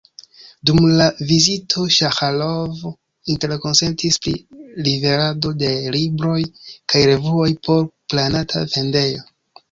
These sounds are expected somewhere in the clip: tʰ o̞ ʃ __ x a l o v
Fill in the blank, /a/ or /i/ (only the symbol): a